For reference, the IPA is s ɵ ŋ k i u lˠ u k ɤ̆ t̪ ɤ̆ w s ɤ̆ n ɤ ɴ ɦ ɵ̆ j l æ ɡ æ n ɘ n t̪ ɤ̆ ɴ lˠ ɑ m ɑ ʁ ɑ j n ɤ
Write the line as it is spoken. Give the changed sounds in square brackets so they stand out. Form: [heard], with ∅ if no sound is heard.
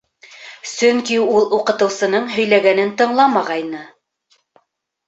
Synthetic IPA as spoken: s ɵ ŋ k i u lˠ u [q] ɤ̆ t̪ ɤ̆ w s ɤ̆ n ɤ ɴ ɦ ɵ̆ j l æ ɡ æ n ɘ n t̪ ɤ̆ ɴ lˠ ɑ m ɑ ʁ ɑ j n ɤ